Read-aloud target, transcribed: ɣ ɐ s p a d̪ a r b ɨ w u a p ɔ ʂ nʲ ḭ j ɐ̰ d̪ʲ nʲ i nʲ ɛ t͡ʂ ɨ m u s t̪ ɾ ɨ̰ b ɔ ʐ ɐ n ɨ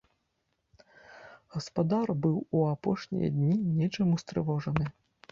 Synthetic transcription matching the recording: ɣ ɐ s p a d̪ a r b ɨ w u a p ɔ ʂ nʲ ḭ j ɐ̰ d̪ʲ nʲ i nʲ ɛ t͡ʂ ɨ m u s t̪ ɾ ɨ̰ v ɔ ʐ ɐ n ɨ

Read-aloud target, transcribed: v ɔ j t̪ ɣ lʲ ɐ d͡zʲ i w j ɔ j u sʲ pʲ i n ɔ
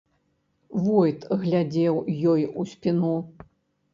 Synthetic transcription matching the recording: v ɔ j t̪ ɣ lʲ a d͡zʲ ɛ w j ɔ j u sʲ pʲ i n u

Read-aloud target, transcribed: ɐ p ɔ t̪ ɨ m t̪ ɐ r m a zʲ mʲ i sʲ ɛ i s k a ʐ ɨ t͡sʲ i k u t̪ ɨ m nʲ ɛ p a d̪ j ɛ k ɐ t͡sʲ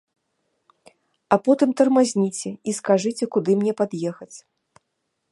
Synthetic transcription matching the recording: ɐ p ɔ t̪ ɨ m t̪ ɐ r m a zʲ nʲ i t͡sʲ ɛ i s k a ʐ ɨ t͡sʲ ɛ k u d̪ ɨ m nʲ ɛ p a d̪ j ɛ x ɐ t͡sʲ

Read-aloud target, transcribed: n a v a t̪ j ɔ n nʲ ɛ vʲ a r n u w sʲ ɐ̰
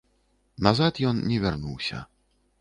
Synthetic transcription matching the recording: n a z a t̪ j ɔ n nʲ ɛ vʲ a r n u w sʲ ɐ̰

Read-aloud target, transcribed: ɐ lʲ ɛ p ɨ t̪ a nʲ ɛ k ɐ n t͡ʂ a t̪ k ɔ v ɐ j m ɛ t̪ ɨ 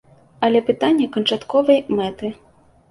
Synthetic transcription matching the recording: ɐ lʲ ɛ p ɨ t̪ a nʲː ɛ k ɐ n t͡ʂ a t̪ k ɔ v ɐ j m ɛ t̪ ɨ

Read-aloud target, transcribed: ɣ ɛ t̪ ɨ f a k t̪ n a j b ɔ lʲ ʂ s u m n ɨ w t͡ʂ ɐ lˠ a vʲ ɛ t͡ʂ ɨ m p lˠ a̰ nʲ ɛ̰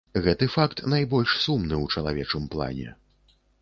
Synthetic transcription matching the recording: ɣ ɛ t̪ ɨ f a k t̪ n a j b ɔ lʲ ʂ s u m n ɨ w t͡ʂ ɐ lˠ a vʲ ɛ t͡ʂ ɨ m p lˠ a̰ nʲ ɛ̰

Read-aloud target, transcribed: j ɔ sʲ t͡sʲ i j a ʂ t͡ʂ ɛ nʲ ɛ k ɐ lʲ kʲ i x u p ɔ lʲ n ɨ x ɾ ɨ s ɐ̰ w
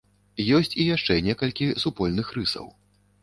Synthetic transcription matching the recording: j ɔ sʲ t͡sʲ i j a ʂ t͡ʂ ɛ nʲ ɛ k ɐ lʲ kʲ i s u p ɔ lʲ n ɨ x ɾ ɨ s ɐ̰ w

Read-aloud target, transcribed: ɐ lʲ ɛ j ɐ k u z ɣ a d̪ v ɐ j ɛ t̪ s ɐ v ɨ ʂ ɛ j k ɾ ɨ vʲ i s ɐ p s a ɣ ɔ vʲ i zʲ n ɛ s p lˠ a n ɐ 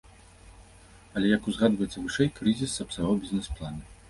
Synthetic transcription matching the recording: ɐ lʲ ɛ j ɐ k u z ɣ a d̪ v ɐ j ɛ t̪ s ɐ v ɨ ʂ ɛ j k ɾ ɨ zʲ i s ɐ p s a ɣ ɔ bʲ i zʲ n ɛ s p lˠ a n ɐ

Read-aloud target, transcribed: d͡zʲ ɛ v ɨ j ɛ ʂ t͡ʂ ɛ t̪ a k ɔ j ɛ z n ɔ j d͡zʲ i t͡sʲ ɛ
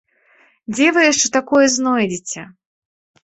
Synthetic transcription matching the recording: d͡zʲ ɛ v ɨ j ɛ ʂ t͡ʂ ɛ t̪ a k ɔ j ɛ z n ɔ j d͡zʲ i t͡sʲ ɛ

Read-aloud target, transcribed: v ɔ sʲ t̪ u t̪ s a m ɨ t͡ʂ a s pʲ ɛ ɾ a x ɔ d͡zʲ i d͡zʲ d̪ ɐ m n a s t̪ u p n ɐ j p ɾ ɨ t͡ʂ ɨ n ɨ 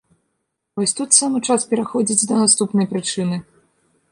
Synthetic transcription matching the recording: v ɔ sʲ t̪ u t̪ s a m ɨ t͡ʂ a s pʲ ɛ ɾ a x ɔ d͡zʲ i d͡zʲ d̪ ɐ n a s t̪ u p n ɐ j p ɾ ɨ t͡ʂ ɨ n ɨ

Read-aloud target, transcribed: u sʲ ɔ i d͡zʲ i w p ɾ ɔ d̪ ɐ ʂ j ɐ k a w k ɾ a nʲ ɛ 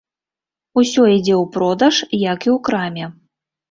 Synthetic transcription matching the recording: u sʲ ɔ i d͡zʲ ɛ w p ɾ ɔ d̪ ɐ ʂ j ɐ k i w k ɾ a mʲ ɛ

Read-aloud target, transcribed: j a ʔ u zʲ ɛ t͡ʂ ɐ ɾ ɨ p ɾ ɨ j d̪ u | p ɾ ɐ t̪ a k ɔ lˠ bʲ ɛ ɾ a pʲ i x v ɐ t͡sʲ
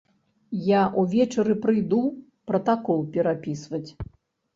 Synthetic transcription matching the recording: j a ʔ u vʲ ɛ t͡ʂ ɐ ɾ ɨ p ɾ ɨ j d̪ u | p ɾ ɐ t̪ a k ɔ lˠ pʲ ɛ ɾ a pʲ i s v ɐ t͡sʲ

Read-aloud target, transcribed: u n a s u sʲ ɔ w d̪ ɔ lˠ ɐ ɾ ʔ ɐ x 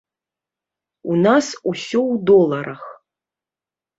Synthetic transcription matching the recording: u n a s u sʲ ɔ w d̪ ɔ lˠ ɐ ɾ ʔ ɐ x

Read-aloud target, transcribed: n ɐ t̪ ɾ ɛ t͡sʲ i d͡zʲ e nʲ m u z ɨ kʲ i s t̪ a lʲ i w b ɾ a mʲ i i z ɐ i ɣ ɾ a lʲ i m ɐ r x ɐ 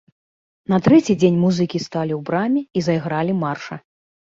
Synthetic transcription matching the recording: n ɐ t̪ ɾ ɛ t͡sʲ i d͡zʲ e nʲ m u z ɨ kʲ i s t̪ a lʲ i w b ɾ a mʲ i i z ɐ j ɣ ɾ a lʲ i m a r ʂ ɐ

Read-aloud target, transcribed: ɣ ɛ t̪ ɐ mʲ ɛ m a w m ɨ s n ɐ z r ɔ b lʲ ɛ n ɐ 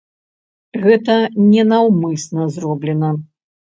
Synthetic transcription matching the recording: ɣ ɛ t̪ ɐ nʲ ɛ n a w m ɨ s n ɐ z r ɔ b lʲ ɛ n ɐ

